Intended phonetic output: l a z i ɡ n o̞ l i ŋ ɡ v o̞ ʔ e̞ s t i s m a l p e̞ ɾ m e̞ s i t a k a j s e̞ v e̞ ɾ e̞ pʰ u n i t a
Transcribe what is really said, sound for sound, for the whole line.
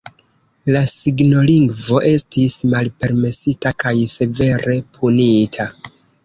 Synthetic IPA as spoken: l a s i ɡ n o̞ l i ŋ ɡ v o̞ ʔ e̞ s t i s m a l p e̞ ɾ m e̞ s i t a k a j s e̞ v e̞ ɾ e̞ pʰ u n i tʰ a

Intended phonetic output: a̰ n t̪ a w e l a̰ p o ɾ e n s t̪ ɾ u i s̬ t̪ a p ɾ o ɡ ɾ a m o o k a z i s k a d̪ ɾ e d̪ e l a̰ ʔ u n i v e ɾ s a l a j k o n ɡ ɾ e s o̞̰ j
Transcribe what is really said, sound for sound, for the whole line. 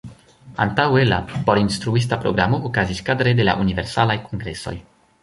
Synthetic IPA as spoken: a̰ n t̪ a w e l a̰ p o ɾ i n s t̪ ɾ u i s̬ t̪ a p ɾ o ɡ ɾ a m o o k a z i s k a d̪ ɾ e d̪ e l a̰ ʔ u n i v e ɾ s a l a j k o ŋ ɡ ɾ e s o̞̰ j

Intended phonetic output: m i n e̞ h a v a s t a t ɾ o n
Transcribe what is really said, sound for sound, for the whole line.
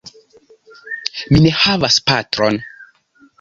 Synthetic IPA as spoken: m i n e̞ h a v a s p a t ɾ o n

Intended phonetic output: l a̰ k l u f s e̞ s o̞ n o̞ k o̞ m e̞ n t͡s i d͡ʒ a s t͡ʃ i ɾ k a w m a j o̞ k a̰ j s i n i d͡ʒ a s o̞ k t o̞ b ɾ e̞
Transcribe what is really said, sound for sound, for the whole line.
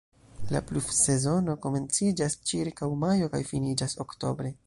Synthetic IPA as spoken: l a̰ p l u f s e̞ z o̞ n o̞ k o̞ m e̞ n t͡s i d͡ʒ a s t͡ʃ i ɾ k a w m a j o̞ k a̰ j f i n i d͡ʒ a s o̞ k t o̞ b ɾ e̞

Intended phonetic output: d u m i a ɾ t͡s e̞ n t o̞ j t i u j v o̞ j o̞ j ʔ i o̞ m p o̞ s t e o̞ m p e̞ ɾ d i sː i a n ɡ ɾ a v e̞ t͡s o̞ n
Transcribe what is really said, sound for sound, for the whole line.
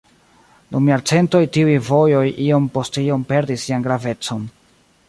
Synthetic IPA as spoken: d u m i a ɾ t͡s e̞ n t o̞ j t i u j v o̞ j o̞ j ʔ i o̞ m p o̞ s t i o̞ m p e̞ ɾ d i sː i a n ɡ ɾ a v e̞ t͡s o̞ n

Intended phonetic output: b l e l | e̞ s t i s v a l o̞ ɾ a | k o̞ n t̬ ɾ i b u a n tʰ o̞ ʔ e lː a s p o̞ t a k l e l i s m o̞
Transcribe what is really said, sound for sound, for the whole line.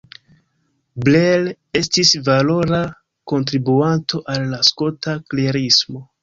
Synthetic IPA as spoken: b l e l | e̞ s t i s v a l o̞ ɾ a | k o̞ n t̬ ɾ i b u a n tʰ o̞ ʔ a lː a s k o̞ t a k l e ɾ i s m o̞

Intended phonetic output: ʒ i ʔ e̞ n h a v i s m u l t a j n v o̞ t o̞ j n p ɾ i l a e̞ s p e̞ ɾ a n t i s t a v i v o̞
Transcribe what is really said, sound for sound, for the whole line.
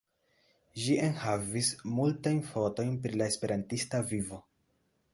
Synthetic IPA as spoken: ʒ i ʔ e̞ n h a v i s m u l t a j n f o̞ t o̞ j n p ɾ i l a e̞ s p e̞ ɾ a n t i s t a v i v o̞

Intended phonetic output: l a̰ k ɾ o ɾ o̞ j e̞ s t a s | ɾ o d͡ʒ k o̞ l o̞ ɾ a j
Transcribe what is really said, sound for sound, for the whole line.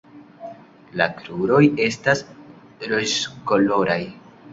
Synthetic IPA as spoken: l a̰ k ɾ u ɾ o̞ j e̞ s t a s | ɾ o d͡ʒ k o̞ l o̞ ɾ a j

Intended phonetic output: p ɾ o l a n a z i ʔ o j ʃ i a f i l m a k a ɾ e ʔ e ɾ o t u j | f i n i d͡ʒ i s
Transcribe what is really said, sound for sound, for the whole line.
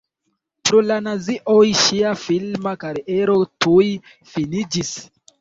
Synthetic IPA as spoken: p ɾ o l a n a z i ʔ o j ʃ i a f i l m a k a ɾ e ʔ e ɾ o t u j | f i n i d͡ʒ i s

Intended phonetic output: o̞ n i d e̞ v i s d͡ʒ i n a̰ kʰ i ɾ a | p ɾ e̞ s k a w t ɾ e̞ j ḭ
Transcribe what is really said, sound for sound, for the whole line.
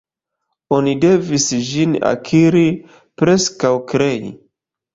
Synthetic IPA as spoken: o̞ n i d e̞ v i s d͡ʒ i n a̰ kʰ i ɾ i | p ɾ e̞ s k a w k ɾ e̞ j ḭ

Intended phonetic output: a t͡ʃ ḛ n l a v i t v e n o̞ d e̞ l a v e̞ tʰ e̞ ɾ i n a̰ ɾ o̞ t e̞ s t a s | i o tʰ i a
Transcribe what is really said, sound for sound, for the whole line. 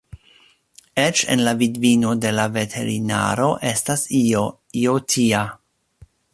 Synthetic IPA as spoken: e t͡ʃ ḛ n l a v i d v i n o̞ d e̞ l a v e̞ tʰ e̞ ɾ i n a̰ ɾ o̞ ʔ e̞ s t a s | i o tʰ i a

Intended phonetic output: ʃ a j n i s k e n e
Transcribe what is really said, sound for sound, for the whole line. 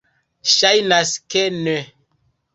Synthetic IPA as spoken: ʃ a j n a s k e n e

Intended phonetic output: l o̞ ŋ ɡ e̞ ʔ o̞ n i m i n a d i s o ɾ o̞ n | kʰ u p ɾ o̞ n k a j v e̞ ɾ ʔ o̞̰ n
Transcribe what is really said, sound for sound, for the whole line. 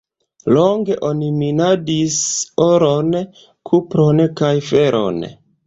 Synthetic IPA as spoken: l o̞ ŋ ɡ e̞ ʔ o̞ n i m i n a d i s o ɾ o̞ n | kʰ u p ɾ o̞ n k a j f e̞ ɾ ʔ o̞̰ n

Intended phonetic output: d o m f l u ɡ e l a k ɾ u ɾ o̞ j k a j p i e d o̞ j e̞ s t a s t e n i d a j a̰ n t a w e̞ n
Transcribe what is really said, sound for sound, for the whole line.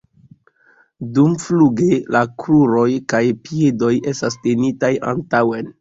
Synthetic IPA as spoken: d u m f l u ɡ e l a k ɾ u ɾ o̞ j k a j p i e d o̞ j e̞ s t a s t e n i t a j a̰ n t a w e̞ n

